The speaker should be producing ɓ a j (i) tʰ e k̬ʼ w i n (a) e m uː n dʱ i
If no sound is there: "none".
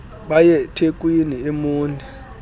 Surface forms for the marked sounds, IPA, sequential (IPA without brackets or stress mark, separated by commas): ɛ, i